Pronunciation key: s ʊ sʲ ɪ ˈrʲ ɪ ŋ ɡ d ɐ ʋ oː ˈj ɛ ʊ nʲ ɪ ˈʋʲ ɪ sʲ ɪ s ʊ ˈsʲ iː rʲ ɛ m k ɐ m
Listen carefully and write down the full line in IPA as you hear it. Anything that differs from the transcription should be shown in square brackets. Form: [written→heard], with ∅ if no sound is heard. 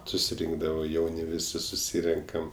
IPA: s ʊ sʲ ɪ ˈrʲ ɪ ŋ ɡ d ɐ ʋ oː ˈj ɛ ʊ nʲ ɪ ˈʋʲ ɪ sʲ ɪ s ʊ ˈsʲ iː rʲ ɛ [m→ŋ] k ɐ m